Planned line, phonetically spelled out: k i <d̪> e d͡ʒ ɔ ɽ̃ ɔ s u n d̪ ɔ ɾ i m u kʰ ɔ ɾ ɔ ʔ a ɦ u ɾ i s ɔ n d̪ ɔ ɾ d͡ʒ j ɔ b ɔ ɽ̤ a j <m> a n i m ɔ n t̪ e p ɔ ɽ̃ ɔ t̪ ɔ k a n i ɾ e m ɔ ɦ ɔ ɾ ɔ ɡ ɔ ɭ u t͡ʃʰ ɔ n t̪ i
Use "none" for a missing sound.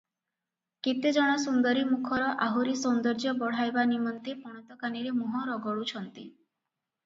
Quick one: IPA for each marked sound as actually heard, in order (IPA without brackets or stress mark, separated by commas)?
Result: t̪, b